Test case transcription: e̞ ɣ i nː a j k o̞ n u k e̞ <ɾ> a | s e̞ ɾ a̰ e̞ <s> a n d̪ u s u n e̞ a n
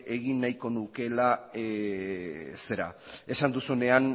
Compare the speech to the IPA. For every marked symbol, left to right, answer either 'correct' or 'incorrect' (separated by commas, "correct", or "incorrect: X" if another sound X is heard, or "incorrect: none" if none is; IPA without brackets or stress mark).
incorrect: l, correct